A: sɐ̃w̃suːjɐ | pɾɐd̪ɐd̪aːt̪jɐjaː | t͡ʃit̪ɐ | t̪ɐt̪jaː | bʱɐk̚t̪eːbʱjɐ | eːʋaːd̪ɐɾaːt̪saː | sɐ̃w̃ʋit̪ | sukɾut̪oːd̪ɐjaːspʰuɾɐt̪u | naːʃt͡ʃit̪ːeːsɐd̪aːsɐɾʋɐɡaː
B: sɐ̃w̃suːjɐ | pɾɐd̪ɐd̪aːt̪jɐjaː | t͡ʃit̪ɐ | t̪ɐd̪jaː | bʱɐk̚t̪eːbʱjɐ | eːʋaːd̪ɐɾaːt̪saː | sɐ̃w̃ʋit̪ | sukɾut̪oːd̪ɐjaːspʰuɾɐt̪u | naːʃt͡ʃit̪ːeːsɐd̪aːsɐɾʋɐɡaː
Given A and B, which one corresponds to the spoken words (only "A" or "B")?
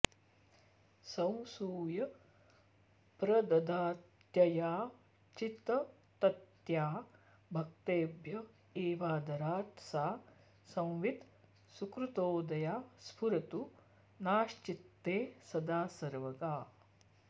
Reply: A